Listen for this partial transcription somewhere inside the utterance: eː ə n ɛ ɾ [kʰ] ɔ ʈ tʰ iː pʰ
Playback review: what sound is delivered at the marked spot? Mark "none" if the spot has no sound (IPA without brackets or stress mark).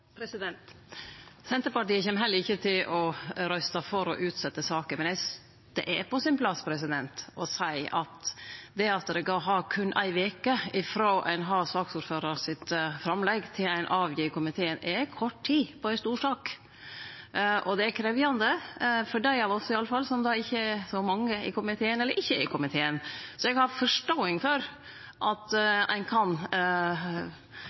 kʰ